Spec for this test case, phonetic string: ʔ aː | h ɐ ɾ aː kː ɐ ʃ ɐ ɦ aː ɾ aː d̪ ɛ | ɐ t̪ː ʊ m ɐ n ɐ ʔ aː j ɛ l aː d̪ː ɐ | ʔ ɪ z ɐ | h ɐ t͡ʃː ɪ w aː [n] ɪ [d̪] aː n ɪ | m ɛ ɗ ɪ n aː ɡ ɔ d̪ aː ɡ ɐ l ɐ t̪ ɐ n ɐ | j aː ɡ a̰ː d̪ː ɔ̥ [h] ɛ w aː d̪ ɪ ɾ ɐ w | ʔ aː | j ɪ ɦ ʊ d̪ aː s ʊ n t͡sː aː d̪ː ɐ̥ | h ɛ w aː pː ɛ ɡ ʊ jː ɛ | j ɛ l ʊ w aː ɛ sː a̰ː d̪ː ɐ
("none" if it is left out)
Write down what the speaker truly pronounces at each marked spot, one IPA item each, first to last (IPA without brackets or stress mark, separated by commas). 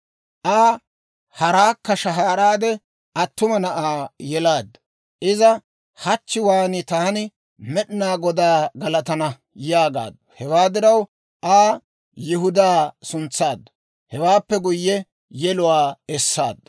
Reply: n, t̪, h